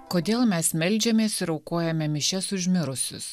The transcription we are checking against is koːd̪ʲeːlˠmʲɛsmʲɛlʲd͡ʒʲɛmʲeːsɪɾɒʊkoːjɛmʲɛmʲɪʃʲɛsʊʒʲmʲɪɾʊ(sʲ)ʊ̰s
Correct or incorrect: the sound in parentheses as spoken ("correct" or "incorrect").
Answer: correct